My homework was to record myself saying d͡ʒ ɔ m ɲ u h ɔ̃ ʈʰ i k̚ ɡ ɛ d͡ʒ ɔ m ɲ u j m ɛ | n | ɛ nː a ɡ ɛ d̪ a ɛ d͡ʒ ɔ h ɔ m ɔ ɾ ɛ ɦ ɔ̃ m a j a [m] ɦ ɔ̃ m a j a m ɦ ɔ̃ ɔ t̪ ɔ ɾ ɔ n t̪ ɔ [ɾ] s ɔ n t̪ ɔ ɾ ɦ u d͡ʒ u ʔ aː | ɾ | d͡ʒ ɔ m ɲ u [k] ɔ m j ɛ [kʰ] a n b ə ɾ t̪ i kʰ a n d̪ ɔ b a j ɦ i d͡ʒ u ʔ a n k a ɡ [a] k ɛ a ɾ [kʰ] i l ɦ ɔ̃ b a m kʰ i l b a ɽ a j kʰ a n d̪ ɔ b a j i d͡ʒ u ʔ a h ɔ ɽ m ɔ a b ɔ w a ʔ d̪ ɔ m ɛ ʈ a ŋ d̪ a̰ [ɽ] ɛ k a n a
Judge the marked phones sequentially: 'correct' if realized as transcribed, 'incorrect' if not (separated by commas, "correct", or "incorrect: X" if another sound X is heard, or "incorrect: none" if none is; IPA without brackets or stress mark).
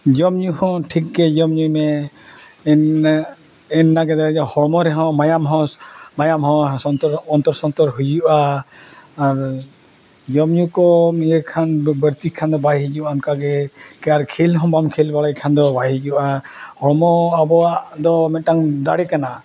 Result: correct, correct, correct, correct, incorrect: ɛ, correct, correct